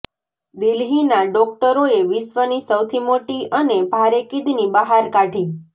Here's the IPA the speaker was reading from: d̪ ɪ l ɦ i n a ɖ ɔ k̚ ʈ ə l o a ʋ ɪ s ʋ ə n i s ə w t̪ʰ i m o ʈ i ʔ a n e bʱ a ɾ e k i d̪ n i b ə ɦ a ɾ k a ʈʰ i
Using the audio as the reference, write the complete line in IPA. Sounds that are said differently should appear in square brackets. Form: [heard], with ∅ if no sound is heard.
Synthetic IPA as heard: d̪ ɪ l ɦ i n a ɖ ɔ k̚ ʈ ə [ɾ] o [e] ʋ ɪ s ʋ ə n i s ə w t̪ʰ i m o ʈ i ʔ [ə] n e bʱ a ɾ e k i d̪ n i b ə ɦ a ɾ k a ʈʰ i